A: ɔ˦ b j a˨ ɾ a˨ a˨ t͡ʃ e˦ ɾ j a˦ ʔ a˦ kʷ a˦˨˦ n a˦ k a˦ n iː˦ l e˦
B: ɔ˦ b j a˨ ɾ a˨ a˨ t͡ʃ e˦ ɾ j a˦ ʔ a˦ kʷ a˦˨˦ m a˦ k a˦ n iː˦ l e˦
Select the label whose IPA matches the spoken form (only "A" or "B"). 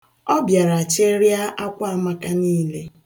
B